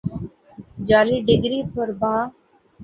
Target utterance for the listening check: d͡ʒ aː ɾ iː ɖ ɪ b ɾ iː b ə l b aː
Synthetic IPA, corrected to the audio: d͡ʒ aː l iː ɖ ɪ ɡ ɾ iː p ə ɾ b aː